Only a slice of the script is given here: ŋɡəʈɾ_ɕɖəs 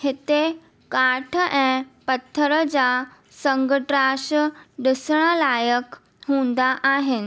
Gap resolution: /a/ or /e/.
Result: a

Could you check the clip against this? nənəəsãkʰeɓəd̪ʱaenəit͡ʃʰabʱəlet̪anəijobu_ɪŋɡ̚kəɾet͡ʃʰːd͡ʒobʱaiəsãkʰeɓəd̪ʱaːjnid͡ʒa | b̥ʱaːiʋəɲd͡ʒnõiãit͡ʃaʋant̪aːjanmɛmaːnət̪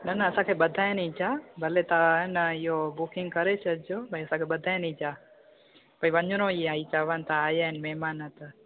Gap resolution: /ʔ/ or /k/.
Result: k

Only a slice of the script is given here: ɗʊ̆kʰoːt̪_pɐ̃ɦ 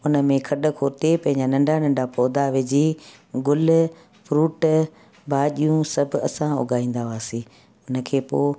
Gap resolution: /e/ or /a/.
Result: e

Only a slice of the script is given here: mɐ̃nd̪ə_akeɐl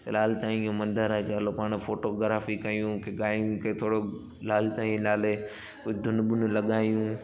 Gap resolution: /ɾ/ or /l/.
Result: ɾ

